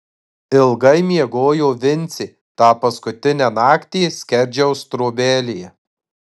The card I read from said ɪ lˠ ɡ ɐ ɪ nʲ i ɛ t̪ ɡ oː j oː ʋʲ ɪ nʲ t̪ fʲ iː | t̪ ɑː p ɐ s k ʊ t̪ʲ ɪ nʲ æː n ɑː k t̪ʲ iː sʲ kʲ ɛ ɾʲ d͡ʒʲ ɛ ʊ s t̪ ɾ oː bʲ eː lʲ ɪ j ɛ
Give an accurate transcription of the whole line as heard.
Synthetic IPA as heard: ɪ lˠ ɡ ɐ ɪ mʲ i ɛ ɡ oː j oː ʋʲ ɪ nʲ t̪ sʲ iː | t̪ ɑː p ɐ s k ʊ t̪ʲ ɪ nʲ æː n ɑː k t̪ʲ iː sʲ kʲ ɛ ɾʲ d͡ʒʲ ɛ ʊ s t̪ ɾ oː bʲ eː lʲ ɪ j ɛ